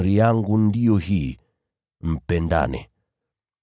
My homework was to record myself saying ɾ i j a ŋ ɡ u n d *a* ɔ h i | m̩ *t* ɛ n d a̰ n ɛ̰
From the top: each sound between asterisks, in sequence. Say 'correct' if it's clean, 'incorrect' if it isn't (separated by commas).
incorrect, incorrect